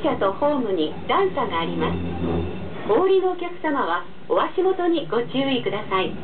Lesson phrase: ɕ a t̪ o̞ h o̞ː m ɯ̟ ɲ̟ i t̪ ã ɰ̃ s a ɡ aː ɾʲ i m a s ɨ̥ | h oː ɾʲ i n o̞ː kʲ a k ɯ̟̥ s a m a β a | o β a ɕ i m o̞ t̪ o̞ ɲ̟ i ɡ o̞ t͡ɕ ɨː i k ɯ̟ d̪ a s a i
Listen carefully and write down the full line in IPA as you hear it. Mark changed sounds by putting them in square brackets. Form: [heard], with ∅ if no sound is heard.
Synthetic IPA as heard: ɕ a t̪ o̞ h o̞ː m ɯ̟ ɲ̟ i [d̪] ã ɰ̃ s a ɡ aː ɾʲ i m a s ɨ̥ | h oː ɾʲ i n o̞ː kʲ a k ɯ̟̥ s a m a β a | o β a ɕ i m o̞ t̪ o̞ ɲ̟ i ɡ o̞ t͡ɕ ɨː i k ɯ̟ d̪ a s a i